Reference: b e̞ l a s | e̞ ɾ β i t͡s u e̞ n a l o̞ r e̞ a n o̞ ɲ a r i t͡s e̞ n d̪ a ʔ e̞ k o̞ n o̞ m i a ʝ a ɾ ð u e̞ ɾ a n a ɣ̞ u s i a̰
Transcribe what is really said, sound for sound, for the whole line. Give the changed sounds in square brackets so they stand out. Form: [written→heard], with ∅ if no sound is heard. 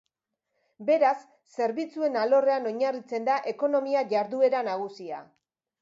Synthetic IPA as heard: b e̞ [l→ɾ] a [s→sː] | e̞ ɾ β i t͡s u e̞ n a l o̞ r e̞ a n o̞ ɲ a r i t͡s e̞ n d̪ a ʔ e̞ k o̞ n o̞ m i a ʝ a ɾ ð u e̞ ɾ a n a ɣ̞ u s i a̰